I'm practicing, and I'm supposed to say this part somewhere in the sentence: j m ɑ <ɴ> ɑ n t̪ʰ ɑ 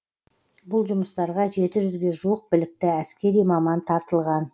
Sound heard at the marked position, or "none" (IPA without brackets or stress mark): m